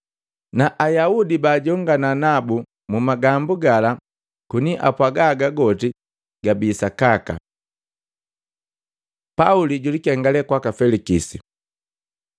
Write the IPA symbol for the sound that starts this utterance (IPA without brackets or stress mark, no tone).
n